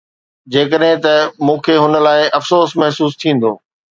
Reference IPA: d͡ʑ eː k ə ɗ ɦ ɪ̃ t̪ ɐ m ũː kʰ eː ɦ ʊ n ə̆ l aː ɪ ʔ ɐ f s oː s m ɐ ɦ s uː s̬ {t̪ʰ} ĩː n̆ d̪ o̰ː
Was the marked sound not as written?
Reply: no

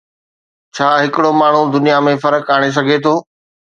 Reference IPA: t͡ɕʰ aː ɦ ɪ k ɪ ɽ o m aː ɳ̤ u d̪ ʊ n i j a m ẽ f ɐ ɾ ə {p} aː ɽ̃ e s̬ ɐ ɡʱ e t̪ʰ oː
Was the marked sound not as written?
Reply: yes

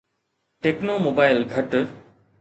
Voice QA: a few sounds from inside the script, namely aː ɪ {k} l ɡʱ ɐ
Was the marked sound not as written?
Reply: yes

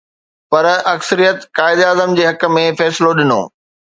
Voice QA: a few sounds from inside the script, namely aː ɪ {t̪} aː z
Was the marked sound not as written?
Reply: yes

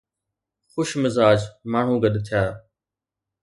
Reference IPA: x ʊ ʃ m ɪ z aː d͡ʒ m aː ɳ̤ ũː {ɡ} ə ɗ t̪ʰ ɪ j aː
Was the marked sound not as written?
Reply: no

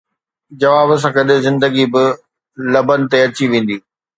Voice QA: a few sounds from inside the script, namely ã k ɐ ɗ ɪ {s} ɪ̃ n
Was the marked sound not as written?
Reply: yes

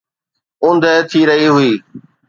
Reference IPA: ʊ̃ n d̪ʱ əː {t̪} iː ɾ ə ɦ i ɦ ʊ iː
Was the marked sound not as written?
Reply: yes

